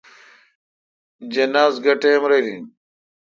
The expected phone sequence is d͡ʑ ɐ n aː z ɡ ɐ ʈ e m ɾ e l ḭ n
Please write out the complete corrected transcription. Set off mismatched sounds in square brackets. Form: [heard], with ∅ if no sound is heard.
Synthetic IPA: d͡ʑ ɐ n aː z ɡ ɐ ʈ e m ɾ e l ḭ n